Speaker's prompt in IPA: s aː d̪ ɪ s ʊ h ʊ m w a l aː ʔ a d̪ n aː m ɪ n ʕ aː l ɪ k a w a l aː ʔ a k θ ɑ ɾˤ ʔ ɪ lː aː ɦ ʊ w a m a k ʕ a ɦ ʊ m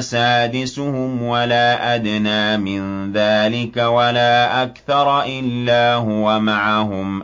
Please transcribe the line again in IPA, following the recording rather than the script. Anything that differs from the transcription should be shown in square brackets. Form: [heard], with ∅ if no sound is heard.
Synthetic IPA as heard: s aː d̪ ɪ s ʊ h ʊ m w a l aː ʔ a d̪ n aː m ɪ n [ð] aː l ɪ k a w a l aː ʔ a k θ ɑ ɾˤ ʔ ɪ lː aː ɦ ʊ w a m a [∅] ʕ a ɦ ʊ m